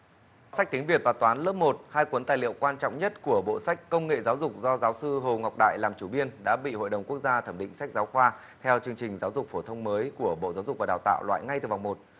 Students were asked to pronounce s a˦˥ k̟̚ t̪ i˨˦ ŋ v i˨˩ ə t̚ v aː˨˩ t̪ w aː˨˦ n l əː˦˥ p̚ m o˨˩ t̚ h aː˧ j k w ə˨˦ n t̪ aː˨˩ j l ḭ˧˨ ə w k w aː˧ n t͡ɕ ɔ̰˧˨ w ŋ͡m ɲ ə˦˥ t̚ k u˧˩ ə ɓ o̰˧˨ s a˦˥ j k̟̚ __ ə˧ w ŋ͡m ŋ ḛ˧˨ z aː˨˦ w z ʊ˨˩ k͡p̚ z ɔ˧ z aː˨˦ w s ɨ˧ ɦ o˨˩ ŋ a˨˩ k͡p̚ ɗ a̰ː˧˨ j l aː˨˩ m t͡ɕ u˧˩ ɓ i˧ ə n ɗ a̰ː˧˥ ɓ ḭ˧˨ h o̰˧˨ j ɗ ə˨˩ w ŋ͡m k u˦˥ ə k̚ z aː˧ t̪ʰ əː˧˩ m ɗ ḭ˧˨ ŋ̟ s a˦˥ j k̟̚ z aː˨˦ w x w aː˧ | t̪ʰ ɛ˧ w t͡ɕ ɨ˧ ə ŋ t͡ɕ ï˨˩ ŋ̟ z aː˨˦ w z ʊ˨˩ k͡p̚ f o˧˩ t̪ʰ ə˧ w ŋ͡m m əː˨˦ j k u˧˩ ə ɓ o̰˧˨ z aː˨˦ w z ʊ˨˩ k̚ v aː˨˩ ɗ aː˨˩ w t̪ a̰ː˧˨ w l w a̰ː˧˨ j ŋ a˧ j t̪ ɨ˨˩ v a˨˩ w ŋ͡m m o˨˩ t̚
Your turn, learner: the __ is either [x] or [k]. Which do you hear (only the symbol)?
k